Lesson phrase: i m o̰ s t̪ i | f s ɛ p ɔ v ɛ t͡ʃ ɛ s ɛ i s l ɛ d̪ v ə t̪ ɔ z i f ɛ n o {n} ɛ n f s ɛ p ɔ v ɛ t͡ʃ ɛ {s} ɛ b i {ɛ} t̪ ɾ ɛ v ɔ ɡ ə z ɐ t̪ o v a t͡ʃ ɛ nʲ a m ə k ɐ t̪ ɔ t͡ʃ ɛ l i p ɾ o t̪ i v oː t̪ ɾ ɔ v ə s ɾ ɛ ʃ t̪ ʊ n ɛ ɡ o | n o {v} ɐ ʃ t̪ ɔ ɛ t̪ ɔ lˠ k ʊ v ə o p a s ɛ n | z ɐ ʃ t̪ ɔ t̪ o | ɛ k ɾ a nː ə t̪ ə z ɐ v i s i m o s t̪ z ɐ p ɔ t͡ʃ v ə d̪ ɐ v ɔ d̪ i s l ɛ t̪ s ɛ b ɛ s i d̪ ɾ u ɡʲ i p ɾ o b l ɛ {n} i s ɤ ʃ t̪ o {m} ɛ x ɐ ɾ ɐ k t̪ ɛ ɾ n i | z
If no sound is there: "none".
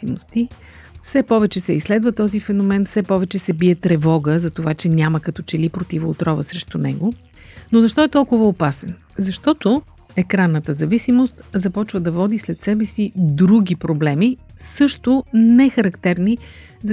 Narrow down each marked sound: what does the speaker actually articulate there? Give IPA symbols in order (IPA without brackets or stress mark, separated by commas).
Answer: m, s, ɛ, z, m, n